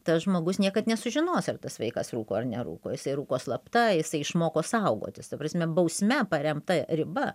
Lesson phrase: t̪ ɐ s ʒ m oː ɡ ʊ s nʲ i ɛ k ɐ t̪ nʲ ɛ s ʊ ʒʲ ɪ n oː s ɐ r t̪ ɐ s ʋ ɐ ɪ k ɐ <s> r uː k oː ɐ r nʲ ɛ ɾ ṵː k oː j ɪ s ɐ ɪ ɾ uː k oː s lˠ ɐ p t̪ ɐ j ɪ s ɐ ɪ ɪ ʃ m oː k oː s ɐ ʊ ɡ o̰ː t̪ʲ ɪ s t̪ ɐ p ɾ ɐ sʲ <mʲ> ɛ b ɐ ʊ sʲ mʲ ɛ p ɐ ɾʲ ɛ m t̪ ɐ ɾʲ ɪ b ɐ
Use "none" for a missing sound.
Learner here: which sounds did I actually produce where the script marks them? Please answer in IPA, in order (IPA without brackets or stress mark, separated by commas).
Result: s, mʲ